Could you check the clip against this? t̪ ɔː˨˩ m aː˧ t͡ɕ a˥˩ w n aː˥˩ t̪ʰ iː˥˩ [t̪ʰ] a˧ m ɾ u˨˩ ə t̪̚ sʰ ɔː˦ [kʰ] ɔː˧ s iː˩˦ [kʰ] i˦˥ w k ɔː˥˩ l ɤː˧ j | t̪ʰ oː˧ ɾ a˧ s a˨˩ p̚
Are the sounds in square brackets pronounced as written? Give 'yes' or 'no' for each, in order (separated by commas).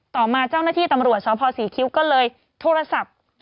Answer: no, no, yes